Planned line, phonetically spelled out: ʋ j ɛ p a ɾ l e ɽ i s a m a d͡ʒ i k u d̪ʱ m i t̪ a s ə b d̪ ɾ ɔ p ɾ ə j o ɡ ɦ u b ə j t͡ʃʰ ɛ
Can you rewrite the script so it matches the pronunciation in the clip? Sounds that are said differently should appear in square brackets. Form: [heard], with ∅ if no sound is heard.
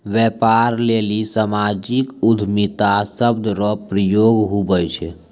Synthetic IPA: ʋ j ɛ p a ɾ l e [l] i s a m a d͡ʒ i k u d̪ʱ m i t̪ a s ə b d̪ ɾ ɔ p ɾ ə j o ɡ ɦ u b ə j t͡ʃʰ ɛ

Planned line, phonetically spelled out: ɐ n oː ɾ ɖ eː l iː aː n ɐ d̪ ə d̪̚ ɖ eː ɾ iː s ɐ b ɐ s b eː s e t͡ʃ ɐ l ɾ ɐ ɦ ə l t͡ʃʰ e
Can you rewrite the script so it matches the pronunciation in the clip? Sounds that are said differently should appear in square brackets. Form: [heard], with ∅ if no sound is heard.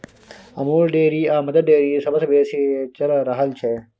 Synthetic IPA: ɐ [m] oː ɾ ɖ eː [ɾ] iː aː [m] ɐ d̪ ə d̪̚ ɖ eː ɾ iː s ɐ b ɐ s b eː s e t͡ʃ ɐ l ɾ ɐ ɦ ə l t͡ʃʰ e

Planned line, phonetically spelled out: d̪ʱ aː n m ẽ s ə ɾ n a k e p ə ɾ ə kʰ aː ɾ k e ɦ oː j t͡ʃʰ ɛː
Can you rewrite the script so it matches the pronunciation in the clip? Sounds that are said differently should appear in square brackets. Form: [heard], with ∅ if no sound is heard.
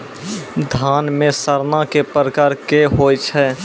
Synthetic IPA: d̪ʱ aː n m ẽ s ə ɾ n a k e p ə ɾ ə [k] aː ɾ k e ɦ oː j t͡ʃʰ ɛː

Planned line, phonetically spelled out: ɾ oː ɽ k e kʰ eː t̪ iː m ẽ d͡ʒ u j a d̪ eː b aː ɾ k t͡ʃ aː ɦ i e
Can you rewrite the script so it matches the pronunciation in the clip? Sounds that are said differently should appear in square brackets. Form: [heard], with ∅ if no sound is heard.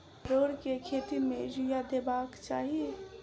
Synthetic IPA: ɾ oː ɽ k e kʰ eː t̪ [i] m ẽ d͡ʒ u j a d̪ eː b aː [∅] k t͡ʃ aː ɦ i e

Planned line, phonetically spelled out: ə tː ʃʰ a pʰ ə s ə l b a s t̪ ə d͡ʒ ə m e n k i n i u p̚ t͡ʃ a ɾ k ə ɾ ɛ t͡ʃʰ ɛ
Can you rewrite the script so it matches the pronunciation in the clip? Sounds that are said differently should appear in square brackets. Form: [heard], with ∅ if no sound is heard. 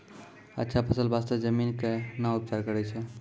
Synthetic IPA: ə tː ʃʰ a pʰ ə s ə l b a s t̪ ə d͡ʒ ə m [i] n k [e] n [a] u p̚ t͡ʃ a ɾ k ə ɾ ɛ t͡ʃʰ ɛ

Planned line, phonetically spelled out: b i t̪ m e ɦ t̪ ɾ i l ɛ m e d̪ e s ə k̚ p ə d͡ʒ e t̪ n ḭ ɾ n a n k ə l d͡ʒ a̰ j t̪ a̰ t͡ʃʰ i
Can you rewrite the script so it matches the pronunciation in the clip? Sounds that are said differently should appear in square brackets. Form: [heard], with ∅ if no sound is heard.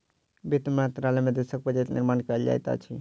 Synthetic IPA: b i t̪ m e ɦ t̪ ɾ [a] l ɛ m e d̪ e s ə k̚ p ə d͡ʒ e t̪ n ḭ ɾ [m] a n k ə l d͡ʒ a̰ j t̪ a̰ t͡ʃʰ i

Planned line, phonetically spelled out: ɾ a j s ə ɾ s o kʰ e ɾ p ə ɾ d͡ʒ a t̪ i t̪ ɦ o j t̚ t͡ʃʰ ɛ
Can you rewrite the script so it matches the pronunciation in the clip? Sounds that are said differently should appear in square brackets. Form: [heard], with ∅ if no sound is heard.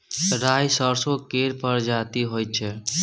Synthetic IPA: ɾ a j s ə ɾ s o [k] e ɾ p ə ɾ d͡ʒ a t̪ i [∅] ɦ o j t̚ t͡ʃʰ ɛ

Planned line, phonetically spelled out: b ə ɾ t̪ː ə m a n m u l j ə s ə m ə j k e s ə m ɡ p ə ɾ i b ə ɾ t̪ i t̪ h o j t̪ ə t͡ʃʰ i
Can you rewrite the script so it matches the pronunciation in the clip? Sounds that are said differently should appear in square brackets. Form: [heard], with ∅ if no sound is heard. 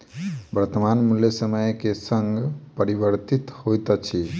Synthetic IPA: b ə ɾ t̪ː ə m a n m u l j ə s ə m ə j k e s ə [ŋ] ɡ p ə ɾ i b ə ɾ t̪ i t̪ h o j t̪ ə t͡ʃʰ i

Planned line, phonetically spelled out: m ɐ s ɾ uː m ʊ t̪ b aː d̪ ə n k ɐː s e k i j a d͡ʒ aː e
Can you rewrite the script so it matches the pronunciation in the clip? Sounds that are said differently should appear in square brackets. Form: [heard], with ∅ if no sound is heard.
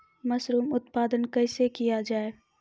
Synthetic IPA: m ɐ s ɾ uː m ʊ t̪ [p] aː d̪ ə n k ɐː s e k i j a d͡ʒ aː e

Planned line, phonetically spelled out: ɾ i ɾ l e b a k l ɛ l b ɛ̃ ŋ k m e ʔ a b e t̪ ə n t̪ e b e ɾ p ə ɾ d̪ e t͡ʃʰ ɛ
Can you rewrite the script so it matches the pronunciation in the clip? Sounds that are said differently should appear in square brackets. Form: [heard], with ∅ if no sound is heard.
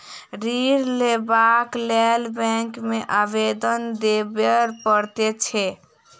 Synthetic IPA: ɾ i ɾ l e b a k l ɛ l b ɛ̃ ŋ k m e ʔ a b e [d̪] ə n [d̪] e b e ɾ p ə ɾ [t̪] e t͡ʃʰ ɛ

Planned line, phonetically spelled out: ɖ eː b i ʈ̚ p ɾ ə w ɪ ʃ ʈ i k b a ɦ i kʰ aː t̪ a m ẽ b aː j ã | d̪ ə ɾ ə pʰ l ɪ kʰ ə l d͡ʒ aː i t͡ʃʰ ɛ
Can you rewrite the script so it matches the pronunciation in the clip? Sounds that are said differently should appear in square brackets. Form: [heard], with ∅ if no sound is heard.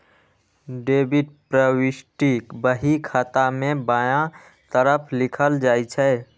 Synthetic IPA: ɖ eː b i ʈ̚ p ɾ ə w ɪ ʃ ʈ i k b [ə] ɦ i kʰ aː t̪ a m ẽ b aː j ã | [t̪] ə ɾ ə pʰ l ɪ kʰ ə l d͡ʒ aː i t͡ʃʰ ɛ

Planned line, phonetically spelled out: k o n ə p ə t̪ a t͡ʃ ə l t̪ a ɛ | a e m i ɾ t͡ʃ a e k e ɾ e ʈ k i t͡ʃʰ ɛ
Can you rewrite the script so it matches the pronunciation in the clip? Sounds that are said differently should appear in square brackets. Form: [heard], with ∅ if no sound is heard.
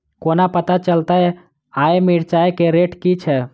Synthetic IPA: k o n [a] p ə t̪ a t͡ʃ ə l t̪ a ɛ | a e m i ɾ t͡ʃ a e k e ɾ e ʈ k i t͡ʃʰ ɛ

